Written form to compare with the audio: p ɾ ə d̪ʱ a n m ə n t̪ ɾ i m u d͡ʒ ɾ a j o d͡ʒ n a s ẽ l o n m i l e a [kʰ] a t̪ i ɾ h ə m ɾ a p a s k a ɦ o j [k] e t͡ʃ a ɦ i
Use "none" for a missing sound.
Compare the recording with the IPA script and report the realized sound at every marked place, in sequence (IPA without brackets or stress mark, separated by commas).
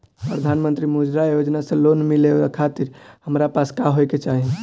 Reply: kʰ, k